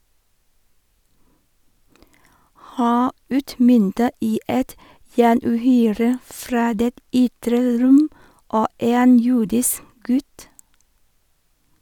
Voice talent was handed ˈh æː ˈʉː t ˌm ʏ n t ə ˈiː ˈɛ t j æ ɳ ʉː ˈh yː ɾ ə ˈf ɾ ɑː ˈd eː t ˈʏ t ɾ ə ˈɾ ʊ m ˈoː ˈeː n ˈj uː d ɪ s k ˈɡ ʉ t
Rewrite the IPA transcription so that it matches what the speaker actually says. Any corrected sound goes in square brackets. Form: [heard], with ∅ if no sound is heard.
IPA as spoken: ˈh æː ˈʉː t ˌm ʏ n t ə ˈiː ˈɛ t j [æː] ɳ ʉː ˈh yː ɾ ə ˈf ɾ ɑː ˈd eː t ˈʏ t ɾ ə ˈɾ ʊ m ˈoː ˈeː n ˈj uː d ɪ s k ˈɡ ʉ t